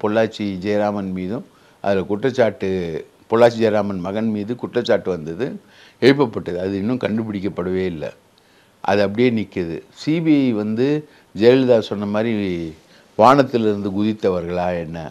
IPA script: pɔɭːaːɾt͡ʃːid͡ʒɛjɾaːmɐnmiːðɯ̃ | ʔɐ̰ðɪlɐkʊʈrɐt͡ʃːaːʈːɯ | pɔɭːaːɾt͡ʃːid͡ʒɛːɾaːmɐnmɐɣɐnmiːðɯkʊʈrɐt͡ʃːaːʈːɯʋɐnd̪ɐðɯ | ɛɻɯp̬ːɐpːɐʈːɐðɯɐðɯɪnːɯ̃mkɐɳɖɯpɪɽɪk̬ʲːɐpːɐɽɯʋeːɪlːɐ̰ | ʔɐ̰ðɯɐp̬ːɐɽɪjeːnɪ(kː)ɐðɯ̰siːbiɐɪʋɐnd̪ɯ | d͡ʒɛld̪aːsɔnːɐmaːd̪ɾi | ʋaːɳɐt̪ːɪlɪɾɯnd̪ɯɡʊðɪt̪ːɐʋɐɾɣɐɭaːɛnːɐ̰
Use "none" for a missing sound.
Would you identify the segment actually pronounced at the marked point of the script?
kː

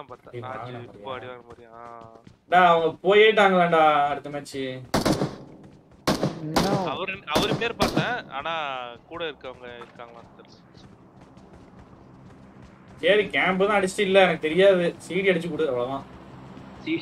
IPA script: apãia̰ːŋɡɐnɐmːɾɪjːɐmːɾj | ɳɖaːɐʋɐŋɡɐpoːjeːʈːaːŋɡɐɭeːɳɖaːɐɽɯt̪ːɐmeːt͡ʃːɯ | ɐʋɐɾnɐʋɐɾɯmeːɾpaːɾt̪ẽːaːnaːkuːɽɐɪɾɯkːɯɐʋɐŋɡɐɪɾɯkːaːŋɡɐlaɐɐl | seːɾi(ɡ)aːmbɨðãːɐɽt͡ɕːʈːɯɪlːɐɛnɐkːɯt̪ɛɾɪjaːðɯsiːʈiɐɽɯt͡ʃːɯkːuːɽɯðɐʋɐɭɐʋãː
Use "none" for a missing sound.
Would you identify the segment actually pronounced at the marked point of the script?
k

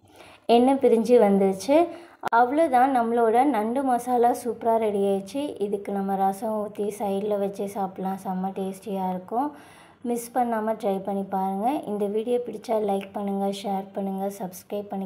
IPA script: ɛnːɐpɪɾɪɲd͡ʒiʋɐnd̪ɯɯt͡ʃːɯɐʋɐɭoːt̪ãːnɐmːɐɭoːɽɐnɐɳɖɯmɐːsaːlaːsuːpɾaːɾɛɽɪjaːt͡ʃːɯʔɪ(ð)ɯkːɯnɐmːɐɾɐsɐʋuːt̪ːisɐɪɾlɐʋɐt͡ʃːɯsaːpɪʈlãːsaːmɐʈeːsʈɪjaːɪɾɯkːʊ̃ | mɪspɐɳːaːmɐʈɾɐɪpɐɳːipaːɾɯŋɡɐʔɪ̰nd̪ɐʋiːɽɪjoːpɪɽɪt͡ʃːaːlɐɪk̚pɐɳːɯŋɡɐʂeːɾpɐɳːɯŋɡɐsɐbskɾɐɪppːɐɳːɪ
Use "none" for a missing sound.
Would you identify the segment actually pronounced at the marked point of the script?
ð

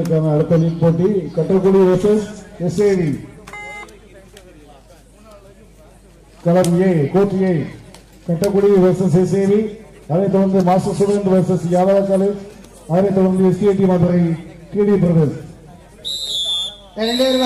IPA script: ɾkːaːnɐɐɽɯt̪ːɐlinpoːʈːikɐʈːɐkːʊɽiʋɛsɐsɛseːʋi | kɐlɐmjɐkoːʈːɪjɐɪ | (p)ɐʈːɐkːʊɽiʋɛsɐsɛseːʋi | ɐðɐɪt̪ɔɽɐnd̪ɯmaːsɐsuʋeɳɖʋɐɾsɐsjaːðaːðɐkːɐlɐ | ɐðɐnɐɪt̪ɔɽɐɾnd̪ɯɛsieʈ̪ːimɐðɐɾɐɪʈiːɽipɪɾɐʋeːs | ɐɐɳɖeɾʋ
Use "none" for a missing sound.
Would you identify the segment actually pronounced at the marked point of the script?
k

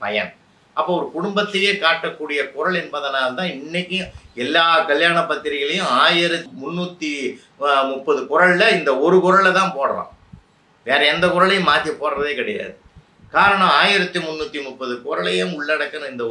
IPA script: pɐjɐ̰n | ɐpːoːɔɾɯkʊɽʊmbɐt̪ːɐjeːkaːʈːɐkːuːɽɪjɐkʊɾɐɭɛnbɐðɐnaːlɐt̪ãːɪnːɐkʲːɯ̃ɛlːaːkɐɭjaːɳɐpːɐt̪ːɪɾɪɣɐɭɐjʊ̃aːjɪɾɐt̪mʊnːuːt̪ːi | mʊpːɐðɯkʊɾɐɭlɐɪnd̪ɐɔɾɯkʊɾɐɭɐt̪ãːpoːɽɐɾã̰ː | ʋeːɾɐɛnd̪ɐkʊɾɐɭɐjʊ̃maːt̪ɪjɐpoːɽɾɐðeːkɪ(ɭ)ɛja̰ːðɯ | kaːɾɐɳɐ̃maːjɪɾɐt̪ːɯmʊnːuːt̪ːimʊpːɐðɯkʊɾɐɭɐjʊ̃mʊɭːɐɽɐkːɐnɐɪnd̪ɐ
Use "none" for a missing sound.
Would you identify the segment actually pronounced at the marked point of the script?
ɽ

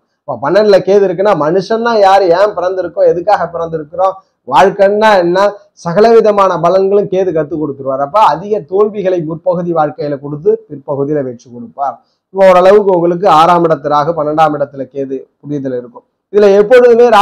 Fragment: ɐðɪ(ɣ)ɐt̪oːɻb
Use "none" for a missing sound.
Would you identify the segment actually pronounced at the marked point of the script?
ɣ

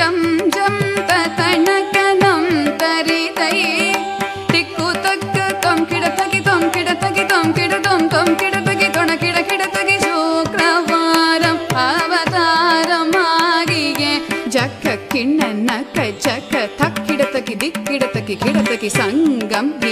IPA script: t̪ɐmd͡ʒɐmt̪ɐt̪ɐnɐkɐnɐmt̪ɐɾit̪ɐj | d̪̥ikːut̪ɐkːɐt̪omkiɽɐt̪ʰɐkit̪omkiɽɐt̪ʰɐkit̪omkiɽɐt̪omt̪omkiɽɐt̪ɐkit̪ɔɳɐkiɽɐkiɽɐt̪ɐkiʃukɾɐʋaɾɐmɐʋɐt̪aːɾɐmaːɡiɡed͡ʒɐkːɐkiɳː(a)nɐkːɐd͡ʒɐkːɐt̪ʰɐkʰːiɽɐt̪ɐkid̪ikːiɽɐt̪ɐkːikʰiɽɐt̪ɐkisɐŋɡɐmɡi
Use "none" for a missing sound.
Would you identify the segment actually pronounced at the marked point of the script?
ɐ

